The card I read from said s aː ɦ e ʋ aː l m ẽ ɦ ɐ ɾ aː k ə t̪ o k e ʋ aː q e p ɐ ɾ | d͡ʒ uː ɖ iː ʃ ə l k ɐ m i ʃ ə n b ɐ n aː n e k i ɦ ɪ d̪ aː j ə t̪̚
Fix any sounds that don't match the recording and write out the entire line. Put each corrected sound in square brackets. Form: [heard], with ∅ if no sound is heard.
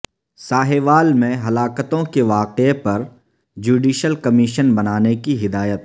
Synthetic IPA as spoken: s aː ɦ e ʋ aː l m ẽ ɦ ɐ [l] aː k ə t̪ [õ] k e ʋ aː q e p ɐ ɾ | d͡ʒ uː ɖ iː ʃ ə l k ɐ m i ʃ ə n b ɐ n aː n e k i ɦ ɪ d̪ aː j ə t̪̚

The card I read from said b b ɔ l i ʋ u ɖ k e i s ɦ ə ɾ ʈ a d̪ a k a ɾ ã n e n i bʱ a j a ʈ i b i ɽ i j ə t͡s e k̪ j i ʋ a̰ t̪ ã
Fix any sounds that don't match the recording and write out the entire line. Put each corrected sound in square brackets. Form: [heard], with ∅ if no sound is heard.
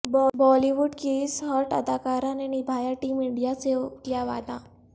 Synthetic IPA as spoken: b b ɔ l i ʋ u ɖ k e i s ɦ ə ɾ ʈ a d̪ a k a ɾ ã n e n i bʱ a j a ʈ i [m] i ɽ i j [a] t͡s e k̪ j [a] ʋ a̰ [d̪] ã

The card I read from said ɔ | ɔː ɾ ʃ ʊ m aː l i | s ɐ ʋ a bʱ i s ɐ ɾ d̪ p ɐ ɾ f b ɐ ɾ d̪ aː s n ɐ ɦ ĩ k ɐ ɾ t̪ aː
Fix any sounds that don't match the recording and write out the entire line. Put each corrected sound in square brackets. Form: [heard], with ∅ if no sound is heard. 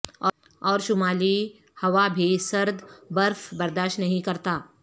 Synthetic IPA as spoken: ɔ | ɔː ɾ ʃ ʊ m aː l i | [h] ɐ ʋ a bʱ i s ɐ ɾ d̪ [b] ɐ ɾ f b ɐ ɾ d̪ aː [ʃ] n ɐ ɦ ĩ k ɐ ɾ t̪ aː

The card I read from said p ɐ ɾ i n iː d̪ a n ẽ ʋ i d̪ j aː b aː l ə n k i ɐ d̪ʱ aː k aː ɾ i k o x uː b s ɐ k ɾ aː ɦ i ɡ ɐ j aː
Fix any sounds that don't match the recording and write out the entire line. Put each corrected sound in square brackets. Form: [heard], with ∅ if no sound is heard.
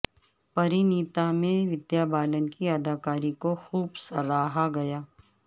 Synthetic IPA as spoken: p ɐ ɾ i n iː [t̪] a [m] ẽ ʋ [ɪ] d̪ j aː b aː l ə n k i ɐ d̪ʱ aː k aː ɾ i k o x uː b s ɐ [∅] ɾ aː ɦ [a] ɡ ɐ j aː

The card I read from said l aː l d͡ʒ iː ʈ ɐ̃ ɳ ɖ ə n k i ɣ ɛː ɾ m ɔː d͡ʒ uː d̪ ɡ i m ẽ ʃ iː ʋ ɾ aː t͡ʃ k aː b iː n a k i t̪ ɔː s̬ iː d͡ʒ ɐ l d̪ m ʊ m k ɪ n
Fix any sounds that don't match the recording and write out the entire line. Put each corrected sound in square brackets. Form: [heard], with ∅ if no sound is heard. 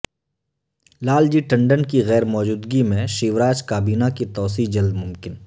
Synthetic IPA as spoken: l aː l d͡ʒ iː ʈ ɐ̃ ɳ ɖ ə n k i ɣ ɛː ɾ m ɔː d͡ʒ uː d̪ ɡ i m ẽ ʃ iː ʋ ɾ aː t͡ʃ k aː b iː n a k i t̪ ɔː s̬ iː d͡ʒ ɐ l d̪ m ʊ m k ɪ n

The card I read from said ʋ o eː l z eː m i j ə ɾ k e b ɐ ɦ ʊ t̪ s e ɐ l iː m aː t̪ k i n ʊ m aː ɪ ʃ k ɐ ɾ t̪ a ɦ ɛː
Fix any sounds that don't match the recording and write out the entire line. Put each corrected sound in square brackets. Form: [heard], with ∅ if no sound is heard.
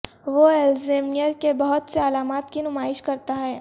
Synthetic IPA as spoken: ʋ o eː l z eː m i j ə ɾ k e b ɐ ɦ ʊ t̪ s e ɐ l [aː] m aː t̪ k i n ʊ m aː ɪ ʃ k ɐ ɾ t̪ a ɦ ɛː

